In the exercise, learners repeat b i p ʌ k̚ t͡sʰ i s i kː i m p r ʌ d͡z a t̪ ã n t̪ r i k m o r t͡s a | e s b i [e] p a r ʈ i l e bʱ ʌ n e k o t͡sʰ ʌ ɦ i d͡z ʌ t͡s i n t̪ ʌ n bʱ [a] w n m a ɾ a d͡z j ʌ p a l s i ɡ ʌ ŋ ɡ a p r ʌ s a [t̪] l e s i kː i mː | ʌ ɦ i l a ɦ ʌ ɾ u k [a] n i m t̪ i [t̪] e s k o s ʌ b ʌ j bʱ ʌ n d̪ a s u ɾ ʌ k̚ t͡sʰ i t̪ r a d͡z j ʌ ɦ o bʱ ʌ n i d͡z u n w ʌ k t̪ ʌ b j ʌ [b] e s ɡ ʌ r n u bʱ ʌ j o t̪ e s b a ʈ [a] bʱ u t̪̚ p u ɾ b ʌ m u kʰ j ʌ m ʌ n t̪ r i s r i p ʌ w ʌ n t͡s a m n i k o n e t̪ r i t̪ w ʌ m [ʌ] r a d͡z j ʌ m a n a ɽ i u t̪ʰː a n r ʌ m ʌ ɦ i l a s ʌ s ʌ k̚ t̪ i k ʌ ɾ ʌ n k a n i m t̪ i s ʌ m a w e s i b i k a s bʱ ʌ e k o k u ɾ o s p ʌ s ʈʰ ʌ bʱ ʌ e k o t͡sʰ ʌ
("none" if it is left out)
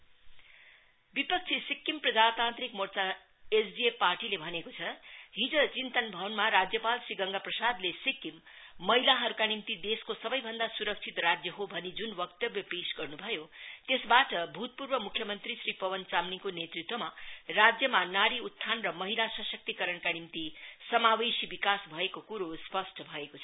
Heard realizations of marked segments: e, ʌ, d̪, a, d̪, p, ʌ, a

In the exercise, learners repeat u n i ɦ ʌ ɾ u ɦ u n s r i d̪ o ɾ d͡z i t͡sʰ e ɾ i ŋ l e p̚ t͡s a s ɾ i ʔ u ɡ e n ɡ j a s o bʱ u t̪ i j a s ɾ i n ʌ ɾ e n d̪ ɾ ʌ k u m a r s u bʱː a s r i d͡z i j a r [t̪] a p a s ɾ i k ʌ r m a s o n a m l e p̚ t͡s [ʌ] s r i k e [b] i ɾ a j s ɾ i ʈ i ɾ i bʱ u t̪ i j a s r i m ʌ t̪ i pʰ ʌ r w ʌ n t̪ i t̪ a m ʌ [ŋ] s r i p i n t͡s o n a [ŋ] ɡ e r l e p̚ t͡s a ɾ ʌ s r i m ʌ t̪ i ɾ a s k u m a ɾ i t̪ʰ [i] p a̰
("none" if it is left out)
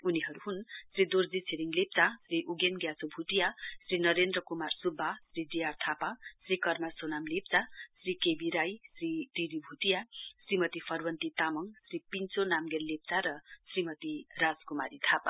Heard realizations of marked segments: t̪ʰ, a, b, ŋ, m, a

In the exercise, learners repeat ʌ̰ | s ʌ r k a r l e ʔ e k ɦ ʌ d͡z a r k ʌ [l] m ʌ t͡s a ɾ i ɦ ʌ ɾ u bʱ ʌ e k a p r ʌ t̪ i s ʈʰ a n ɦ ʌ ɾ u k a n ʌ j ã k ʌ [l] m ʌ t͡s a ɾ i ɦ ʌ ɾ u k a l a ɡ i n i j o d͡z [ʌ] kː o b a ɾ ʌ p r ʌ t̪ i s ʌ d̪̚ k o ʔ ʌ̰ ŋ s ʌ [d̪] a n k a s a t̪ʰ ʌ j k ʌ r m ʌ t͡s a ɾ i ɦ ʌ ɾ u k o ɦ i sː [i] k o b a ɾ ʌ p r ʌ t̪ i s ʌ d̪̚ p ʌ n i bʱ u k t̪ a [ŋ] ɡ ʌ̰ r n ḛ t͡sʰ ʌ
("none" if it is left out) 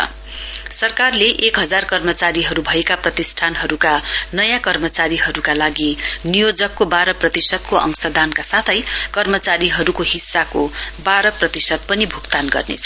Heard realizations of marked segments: r, r, ʌ, d̪, a, n

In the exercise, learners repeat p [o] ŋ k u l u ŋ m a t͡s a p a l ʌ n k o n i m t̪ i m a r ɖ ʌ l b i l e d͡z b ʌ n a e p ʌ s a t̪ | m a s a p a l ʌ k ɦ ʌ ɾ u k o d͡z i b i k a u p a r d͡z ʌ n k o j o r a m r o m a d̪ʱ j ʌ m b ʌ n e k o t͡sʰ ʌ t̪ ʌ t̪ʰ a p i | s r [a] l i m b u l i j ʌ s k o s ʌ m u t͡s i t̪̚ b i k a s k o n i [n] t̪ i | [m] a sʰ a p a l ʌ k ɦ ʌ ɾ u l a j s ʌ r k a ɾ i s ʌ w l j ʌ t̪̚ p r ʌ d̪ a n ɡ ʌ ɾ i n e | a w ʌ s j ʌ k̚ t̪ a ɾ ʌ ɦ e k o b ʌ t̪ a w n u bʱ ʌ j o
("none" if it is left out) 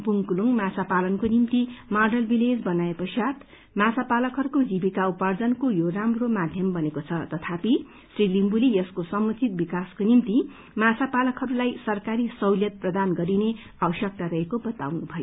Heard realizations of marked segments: u, i, m, m

